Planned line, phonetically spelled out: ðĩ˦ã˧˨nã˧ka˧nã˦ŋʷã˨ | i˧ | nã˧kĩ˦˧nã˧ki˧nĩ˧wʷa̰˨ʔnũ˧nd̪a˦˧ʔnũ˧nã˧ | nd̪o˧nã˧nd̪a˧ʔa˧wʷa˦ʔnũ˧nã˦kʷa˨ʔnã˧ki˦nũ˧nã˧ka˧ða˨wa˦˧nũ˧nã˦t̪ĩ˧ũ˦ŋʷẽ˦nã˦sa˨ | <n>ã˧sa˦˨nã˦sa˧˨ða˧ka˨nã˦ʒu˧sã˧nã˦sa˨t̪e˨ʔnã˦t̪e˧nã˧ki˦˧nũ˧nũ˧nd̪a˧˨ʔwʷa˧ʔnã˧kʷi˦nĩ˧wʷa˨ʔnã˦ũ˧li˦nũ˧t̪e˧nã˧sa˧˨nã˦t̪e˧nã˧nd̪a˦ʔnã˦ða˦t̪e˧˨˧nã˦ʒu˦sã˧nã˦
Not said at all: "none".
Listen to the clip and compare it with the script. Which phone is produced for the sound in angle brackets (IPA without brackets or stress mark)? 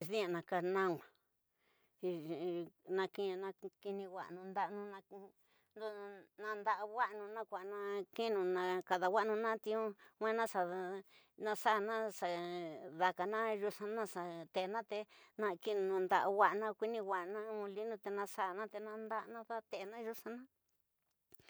n